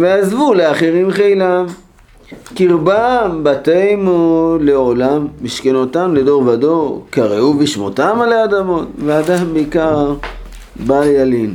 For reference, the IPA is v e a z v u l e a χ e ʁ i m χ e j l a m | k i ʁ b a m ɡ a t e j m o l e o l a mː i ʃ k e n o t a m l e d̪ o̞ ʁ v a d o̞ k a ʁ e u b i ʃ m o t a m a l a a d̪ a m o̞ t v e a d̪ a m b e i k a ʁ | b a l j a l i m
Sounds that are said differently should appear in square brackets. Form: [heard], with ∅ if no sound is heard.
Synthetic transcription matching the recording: v e a z v u l e a χ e ʁ i m χ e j l a m | k i ʁ b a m [b] a t e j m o l e o l a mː i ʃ k e n o t a m l e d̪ o̞ ʁ v a d o̞ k a ʁ e u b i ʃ m o t a m a l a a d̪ a m o̞ t v e a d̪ a m b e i k a ʁ | b a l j a l i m